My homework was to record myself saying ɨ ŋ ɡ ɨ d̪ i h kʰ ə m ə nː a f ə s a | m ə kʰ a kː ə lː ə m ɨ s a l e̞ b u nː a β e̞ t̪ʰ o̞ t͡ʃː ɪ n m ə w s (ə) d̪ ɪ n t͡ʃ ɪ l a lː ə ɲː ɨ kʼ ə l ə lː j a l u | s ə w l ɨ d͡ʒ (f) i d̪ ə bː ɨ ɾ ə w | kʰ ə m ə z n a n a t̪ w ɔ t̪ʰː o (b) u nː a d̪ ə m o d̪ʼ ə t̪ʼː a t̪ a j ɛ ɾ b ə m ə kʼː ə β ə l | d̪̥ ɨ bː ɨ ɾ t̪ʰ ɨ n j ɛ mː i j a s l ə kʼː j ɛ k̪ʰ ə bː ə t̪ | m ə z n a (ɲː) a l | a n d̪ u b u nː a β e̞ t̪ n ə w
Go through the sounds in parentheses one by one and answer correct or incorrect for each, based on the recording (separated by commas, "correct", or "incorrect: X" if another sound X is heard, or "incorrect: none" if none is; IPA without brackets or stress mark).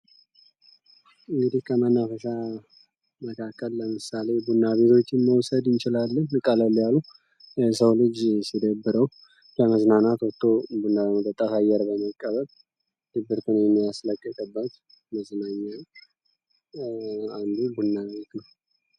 correct, incorrect: s, correct, correct